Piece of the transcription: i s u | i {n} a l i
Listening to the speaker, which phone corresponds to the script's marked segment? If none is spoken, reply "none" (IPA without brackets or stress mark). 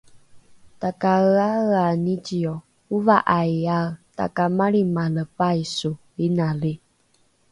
n